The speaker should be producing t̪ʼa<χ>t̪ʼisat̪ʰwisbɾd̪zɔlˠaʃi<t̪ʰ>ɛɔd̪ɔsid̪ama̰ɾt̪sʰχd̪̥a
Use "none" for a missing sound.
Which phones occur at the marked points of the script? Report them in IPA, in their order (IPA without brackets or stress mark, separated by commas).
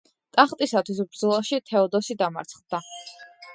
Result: χ, t̪ʰ